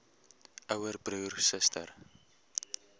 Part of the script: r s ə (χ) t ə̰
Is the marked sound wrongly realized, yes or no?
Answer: yes